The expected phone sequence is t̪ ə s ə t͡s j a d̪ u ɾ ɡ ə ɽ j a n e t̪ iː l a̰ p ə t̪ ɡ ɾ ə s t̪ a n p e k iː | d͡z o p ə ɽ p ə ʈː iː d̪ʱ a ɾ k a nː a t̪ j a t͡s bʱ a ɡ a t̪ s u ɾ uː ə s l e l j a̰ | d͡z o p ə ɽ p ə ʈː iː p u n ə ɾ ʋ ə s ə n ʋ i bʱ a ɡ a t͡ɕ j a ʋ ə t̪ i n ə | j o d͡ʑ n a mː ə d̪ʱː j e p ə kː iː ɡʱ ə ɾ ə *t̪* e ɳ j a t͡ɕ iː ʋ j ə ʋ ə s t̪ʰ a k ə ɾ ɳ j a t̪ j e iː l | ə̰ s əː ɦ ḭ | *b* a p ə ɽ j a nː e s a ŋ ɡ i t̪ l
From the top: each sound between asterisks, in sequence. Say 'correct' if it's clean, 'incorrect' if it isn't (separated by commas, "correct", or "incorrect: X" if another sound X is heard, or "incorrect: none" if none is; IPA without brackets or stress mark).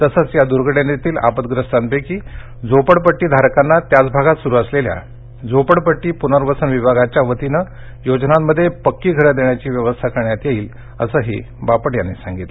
incorrect: d̪, correct